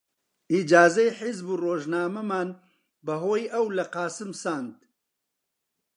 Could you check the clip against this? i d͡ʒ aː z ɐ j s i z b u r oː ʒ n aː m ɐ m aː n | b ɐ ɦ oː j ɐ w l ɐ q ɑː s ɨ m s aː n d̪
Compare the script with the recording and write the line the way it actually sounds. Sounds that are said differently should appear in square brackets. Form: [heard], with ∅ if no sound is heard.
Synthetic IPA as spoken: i d͡ʒ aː z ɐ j [ħ] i z b u r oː ʒ n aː m ɐ m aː n | b ɐ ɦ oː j ɐ w l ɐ q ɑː s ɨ m s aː n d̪